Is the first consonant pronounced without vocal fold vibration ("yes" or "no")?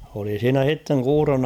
no